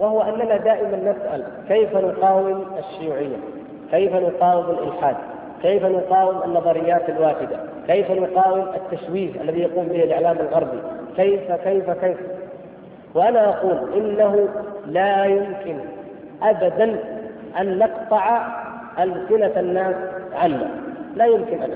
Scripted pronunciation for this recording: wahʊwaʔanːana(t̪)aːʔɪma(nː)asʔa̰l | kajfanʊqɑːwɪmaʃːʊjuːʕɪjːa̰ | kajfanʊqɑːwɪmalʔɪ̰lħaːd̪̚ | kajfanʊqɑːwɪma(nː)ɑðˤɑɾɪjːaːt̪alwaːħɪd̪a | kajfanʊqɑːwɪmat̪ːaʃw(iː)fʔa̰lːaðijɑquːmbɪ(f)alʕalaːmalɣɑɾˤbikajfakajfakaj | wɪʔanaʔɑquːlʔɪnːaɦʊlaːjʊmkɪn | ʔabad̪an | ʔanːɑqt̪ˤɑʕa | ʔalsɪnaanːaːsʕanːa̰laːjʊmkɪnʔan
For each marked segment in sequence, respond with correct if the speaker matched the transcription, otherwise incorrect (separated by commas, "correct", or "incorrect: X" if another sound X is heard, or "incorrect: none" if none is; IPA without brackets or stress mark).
incorrect: d̪, correct, correct, correct, incorrect: h